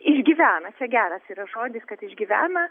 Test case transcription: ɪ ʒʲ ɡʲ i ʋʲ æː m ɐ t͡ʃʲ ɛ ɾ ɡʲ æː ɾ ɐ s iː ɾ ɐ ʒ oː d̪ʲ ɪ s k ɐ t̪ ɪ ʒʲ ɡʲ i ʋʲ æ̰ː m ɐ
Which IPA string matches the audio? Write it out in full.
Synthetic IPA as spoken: ɪ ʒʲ ɡʲ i ʋʲ æː n ɐ t͡ʃʲ ɛ ɡʲ æː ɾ ɐ s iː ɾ ɐ ʒ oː d̪ʲ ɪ s k ɐ t̪ ɪ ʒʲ ɡʲ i ʋʲ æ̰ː n ɐ